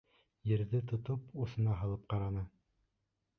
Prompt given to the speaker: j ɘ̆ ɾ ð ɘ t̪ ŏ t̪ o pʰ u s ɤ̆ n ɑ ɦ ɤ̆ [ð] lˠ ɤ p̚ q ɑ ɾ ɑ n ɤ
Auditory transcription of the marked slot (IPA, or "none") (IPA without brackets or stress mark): none